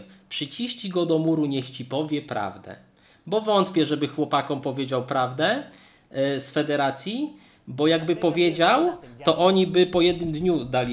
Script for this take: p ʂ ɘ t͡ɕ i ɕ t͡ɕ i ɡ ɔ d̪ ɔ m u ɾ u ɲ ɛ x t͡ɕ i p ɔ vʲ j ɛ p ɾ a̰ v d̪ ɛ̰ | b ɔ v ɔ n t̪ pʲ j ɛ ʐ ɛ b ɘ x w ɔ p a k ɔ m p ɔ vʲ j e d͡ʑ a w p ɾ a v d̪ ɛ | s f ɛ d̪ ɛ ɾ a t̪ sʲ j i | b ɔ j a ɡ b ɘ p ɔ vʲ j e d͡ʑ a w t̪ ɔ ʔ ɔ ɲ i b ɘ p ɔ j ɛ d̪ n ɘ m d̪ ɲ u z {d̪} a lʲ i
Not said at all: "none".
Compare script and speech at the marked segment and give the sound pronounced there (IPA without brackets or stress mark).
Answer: d̪